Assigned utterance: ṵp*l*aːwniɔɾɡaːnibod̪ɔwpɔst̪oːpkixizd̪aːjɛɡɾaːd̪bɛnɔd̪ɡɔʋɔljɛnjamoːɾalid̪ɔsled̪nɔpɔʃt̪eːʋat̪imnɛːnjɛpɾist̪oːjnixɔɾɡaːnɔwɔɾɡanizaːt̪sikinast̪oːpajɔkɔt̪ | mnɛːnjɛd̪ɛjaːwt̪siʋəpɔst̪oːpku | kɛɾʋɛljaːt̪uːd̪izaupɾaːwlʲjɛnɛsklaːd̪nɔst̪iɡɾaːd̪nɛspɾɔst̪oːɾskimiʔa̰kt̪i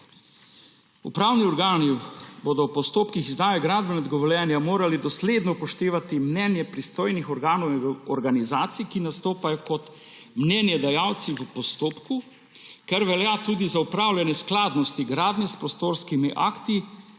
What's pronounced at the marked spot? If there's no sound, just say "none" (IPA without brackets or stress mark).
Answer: ɾ